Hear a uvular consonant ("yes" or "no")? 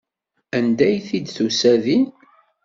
no